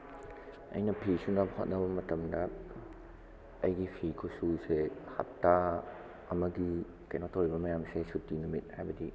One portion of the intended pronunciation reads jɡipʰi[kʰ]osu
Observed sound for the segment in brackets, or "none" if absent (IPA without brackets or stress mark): kʰ